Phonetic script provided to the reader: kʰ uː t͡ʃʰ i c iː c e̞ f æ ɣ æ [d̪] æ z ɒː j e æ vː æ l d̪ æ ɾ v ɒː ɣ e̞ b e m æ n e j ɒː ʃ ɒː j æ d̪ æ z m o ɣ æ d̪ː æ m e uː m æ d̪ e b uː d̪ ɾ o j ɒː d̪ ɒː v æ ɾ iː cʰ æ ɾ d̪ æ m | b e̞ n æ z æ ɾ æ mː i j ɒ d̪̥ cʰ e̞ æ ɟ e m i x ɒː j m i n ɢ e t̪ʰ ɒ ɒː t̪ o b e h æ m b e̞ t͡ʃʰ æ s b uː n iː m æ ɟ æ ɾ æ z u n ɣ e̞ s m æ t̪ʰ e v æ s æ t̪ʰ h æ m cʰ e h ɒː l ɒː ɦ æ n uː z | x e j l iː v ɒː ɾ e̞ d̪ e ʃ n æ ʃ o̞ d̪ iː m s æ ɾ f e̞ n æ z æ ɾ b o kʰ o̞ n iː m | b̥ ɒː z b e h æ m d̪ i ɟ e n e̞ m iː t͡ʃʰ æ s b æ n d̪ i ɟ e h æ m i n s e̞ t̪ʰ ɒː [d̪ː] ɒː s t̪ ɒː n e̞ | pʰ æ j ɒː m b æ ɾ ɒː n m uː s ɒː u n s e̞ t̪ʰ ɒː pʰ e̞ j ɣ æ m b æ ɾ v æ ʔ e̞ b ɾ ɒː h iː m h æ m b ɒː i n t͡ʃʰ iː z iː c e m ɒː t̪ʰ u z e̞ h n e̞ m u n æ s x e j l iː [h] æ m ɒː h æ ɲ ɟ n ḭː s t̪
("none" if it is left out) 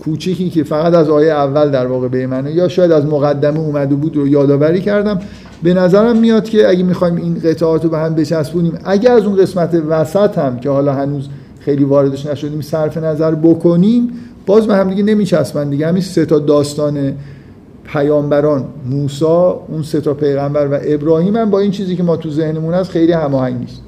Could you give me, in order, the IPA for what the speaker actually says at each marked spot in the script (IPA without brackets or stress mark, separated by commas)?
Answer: t̪, d̪, h